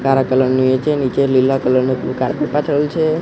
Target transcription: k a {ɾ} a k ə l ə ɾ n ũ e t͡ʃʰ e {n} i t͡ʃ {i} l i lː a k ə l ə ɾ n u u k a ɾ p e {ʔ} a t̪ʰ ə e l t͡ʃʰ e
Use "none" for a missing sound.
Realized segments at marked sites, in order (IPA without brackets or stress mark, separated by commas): ɾ, n, e, p